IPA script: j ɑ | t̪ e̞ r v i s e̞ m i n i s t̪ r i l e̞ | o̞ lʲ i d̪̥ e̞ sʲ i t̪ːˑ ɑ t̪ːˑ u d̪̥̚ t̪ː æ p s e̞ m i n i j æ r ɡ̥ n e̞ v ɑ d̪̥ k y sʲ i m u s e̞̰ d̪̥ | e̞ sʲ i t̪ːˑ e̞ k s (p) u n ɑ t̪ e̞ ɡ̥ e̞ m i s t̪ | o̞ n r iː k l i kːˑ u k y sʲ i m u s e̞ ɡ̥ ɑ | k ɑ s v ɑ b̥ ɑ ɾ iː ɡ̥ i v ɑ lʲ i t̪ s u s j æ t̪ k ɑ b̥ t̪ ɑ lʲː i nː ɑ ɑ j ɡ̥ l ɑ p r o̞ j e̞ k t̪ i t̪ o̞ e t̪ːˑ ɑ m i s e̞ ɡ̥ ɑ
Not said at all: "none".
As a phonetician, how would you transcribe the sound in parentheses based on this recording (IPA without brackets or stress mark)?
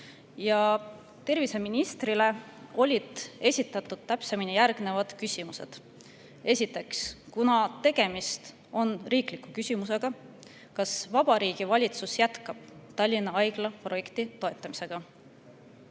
k